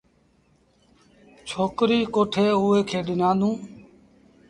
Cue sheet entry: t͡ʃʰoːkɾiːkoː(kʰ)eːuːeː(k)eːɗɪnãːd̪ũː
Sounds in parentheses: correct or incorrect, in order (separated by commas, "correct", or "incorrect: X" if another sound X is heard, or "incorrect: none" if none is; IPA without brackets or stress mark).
incorrect: ʈʰ, incorrect: kʰ